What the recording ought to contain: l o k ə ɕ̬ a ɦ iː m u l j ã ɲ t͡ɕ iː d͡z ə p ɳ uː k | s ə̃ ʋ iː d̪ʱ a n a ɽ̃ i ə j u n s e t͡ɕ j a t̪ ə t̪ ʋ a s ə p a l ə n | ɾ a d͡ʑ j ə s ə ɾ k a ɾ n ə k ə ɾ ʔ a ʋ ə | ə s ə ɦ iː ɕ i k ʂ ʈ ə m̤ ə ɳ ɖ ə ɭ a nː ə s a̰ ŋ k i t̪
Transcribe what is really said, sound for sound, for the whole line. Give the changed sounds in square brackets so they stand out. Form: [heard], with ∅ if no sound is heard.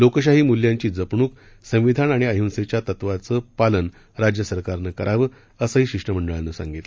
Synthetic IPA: l o k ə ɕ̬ a ɦ iː m u l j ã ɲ t͡ɕ iː d͡z ə p ɳ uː k | s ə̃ ʋ [i] d̪ʱ a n a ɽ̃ i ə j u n s e t͡ɕ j a t̪ ə t̪ ʋ a [t͡s] ə p a l ə n | ɾ a d͡ʑ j ə s ə ɾ k a ɾ n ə k ə ɾ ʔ a ʋ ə | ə s ə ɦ iː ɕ i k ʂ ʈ ə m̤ ə ɳ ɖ ə ɭ a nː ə s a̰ ŋ [ɡ] i t̪